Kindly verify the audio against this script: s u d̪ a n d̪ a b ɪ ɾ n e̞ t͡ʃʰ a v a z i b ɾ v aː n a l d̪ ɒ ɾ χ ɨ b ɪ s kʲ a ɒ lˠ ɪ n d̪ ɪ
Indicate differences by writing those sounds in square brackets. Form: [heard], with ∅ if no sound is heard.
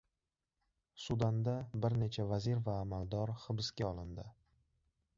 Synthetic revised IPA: s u d̪ a n d̪ a b ɪ ɾ n e̞ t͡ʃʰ a v a z i [∅] ɾ v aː [m] a l d̪ ɒ ɾ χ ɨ b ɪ s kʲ a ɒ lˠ ɪ n d̪ ɪ